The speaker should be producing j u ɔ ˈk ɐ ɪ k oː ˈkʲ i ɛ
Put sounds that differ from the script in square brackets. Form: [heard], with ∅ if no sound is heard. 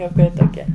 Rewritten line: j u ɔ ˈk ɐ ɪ [t] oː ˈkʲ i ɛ